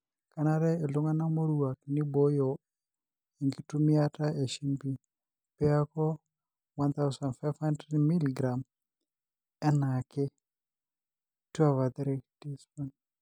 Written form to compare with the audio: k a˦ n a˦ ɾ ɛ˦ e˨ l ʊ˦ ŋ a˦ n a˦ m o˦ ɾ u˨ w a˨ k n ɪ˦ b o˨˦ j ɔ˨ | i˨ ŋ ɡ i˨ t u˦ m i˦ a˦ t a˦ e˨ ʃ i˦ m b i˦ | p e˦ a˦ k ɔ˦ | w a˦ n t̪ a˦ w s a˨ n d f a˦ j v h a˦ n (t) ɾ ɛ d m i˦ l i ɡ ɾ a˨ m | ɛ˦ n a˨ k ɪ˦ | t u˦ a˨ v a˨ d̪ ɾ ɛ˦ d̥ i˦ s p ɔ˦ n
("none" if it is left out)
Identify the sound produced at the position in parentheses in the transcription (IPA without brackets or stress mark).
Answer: d